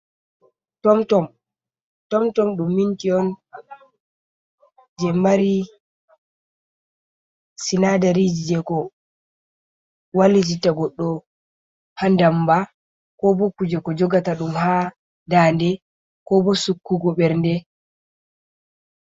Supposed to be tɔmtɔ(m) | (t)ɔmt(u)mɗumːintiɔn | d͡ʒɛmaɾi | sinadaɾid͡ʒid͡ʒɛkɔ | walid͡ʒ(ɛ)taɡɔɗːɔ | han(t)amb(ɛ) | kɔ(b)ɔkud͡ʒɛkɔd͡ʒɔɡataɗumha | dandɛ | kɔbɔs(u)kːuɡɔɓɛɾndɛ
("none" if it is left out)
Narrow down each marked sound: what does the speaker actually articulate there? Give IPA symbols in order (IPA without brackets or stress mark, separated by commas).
m, t, ɔ, i, d, a, b, u